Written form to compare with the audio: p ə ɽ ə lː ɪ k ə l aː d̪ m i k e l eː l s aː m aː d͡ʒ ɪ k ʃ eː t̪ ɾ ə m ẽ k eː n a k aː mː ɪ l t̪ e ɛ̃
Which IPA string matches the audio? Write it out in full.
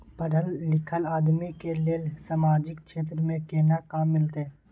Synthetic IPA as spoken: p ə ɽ ə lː ɪ kʰ ə l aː d̪ m i k e l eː l s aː m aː d͡ʒ ɪ k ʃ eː t̪ ɾ ə m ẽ k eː n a k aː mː ɪ l t̪ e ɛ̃